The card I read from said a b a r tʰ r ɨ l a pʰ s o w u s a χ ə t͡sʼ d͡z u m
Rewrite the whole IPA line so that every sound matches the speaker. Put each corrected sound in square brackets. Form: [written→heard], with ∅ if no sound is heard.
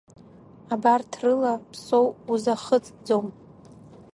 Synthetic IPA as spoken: a b a r tʰ r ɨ l a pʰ s o w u [s→z] a χ ə t͡sʼ d͡z [u→o] m